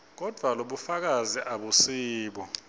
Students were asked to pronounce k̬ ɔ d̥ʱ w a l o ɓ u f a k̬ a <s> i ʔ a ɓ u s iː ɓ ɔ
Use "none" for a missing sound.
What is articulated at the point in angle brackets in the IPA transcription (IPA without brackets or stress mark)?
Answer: z